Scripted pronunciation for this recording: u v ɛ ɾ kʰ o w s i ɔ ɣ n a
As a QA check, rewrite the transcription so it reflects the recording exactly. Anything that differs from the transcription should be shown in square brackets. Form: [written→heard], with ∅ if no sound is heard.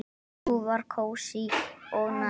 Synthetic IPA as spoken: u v [ɛ→a] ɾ kʰ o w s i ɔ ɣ n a